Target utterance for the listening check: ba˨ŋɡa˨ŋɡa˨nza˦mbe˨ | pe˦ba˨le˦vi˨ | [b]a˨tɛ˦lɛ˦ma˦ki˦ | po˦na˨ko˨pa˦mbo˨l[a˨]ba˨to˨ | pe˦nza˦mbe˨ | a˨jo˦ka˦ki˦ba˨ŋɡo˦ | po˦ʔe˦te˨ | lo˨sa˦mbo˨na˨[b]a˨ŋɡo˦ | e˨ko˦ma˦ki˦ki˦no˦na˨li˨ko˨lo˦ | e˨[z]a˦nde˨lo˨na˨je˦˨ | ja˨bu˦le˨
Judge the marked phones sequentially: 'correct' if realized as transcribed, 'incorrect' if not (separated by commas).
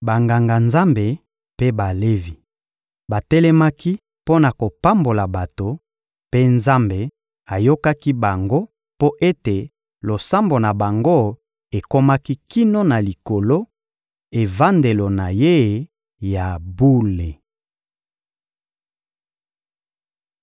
correct, correct, correct, incorrect